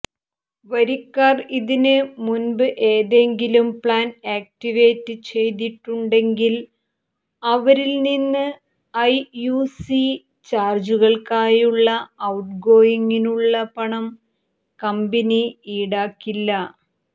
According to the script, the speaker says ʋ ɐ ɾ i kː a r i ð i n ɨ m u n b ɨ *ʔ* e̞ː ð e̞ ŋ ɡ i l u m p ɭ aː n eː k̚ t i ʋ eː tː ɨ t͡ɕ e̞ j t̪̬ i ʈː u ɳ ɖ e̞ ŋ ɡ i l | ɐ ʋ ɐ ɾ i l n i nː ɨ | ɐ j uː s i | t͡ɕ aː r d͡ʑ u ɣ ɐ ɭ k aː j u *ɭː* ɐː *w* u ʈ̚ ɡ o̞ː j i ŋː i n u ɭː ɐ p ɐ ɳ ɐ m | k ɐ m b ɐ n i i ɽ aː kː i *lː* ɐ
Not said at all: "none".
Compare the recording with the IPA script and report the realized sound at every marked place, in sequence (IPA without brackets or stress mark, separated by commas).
ʔ, ɭː, w, lː